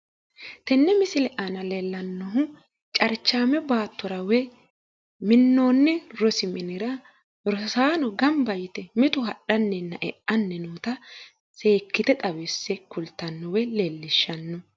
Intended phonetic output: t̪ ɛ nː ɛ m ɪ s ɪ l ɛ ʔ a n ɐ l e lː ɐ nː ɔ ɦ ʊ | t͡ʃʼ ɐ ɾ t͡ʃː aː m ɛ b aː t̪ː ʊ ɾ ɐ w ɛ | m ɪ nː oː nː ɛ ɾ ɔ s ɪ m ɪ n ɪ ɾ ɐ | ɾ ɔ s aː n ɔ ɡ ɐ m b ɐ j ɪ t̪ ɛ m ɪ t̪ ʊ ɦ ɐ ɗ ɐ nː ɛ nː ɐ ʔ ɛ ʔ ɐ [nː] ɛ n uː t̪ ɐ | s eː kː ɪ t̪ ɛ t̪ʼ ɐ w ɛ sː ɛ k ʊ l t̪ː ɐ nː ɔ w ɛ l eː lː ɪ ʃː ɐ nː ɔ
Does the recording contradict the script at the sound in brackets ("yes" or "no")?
no